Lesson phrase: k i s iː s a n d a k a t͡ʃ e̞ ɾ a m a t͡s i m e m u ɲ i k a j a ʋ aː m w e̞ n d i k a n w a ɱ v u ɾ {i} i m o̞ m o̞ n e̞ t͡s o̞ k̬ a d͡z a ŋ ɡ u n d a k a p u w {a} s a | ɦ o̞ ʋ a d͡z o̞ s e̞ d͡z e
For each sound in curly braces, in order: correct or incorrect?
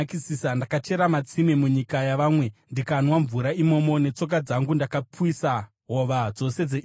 incorrect: a, incorrect: i

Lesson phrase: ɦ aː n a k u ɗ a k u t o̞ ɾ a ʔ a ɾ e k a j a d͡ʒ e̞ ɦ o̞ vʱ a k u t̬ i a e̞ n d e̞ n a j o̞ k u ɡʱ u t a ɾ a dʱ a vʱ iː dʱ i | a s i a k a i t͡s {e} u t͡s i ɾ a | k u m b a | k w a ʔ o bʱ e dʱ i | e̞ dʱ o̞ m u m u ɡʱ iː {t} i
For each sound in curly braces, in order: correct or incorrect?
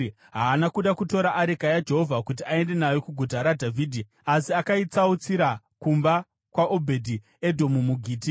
incorrect: a, correct

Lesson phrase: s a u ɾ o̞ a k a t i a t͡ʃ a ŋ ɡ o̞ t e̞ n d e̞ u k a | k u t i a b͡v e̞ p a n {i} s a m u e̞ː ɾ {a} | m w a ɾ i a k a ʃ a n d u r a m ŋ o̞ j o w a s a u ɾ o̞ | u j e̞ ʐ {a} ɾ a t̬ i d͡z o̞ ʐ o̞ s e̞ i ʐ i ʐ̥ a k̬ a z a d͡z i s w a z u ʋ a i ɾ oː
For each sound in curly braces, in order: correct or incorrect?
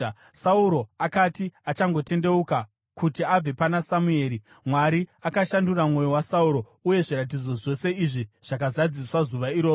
incorrect: a, incorrect: i, incorrect: i

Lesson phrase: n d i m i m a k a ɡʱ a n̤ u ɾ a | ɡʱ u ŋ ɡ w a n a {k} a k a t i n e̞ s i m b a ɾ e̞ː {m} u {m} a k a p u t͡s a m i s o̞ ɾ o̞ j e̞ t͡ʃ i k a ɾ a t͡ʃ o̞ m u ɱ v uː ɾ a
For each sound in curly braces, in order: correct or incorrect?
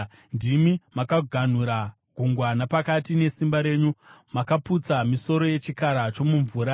incorrect: p, incorrect: ɲ, correct

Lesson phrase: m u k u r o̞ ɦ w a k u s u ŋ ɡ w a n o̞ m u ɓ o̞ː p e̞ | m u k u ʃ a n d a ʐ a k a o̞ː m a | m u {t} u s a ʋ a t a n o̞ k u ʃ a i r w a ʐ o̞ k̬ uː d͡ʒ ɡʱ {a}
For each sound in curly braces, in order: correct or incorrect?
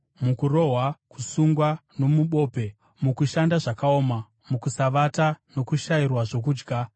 incorrect: k, correct

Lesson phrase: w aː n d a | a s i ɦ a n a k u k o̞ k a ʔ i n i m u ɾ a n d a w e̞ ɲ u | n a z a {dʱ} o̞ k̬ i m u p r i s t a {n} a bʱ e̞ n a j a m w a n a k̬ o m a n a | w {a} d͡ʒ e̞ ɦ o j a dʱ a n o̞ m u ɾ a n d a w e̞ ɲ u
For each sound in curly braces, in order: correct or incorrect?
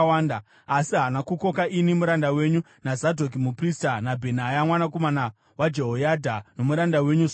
correct, correct, correct

